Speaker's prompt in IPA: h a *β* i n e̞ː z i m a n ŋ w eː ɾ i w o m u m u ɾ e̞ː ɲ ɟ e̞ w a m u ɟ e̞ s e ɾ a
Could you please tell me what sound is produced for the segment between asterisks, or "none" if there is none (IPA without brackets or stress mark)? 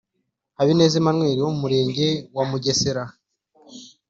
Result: β